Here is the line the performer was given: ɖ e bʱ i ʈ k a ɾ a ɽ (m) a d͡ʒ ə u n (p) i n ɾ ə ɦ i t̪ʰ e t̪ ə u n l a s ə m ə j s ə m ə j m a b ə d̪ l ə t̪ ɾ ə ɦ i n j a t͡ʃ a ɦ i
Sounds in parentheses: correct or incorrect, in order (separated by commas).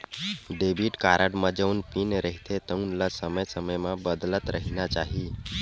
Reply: correct, correct